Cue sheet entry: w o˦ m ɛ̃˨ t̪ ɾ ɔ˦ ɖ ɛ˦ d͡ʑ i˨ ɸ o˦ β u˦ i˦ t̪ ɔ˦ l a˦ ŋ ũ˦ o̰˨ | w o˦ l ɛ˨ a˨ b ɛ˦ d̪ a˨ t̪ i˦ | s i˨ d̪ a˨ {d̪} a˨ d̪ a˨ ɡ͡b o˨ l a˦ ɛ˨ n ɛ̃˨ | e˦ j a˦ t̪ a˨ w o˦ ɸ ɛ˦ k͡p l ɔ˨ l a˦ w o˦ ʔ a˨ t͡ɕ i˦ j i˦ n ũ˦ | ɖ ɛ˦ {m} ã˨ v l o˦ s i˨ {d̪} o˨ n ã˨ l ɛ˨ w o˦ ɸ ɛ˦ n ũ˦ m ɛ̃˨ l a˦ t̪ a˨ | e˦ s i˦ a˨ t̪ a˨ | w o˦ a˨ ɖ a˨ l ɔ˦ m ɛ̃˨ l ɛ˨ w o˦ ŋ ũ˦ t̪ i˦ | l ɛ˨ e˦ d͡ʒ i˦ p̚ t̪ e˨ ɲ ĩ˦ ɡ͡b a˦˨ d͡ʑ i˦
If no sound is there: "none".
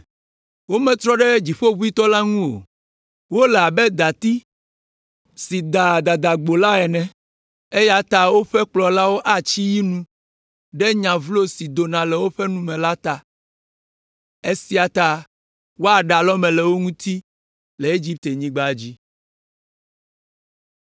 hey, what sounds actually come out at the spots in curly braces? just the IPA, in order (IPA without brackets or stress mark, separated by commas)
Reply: d̪, ɲ, d̪